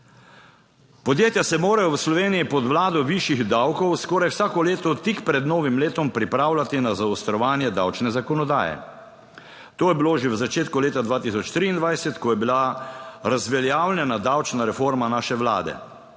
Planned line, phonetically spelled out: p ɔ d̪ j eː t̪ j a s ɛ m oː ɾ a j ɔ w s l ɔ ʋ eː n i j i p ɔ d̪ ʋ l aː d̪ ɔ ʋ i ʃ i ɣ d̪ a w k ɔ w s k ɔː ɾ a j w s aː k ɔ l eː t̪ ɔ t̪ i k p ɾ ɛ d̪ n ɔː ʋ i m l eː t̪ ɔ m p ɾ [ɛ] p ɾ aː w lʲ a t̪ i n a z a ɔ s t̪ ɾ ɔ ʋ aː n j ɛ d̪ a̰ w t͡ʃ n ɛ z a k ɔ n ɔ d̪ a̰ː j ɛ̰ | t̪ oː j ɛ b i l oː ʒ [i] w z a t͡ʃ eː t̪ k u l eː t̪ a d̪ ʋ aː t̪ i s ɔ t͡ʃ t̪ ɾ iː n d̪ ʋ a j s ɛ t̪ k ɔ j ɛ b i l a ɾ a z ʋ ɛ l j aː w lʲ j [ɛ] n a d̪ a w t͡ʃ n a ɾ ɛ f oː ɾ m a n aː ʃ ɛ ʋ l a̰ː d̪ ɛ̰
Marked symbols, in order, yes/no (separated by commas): no, no, yes